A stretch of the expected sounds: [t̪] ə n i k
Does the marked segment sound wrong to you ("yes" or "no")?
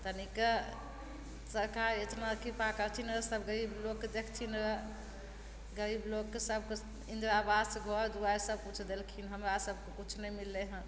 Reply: no